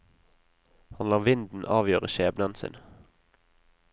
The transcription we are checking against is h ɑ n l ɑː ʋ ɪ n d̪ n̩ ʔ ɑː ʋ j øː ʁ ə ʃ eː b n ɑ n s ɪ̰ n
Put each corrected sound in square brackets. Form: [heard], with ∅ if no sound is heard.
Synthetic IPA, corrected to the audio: h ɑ n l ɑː ʋ ɪ n d̪ n̩ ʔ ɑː ʋ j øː ʁ ə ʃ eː b n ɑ n s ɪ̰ n